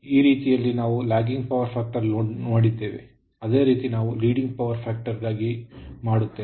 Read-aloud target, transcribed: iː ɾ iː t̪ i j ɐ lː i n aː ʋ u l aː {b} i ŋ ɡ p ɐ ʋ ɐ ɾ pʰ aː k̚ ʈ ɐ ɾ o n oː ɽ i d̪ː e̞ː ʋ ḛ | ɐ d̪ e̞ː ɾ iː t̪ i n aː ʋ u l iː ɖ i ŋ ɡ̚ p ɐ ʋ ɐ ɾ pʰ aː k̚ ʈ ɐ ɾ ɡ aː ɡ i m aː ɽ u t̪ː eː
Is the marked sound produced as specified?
no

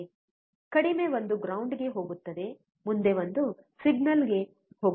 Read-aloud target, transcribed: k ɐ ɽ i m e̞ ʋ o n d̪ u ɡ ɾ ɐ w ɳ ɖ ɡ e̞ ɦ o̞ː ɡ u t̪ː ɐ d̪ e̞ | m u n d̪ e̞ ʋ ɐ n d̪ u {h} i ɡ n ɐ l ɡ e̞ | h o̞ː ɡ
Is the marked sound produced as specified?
no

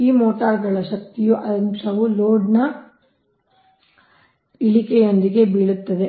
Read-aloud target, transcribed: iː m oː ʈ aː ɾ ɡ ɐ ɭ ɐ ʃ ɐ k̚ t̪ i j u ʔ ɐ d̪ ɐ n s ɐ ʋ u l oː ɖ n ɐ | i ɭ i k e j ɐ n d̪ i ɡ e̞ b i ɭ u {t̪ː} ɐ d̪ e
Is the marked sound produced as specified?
yes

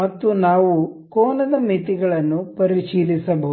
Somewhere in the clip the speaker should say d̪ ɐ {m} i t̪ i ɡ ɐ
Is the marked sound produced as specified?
yes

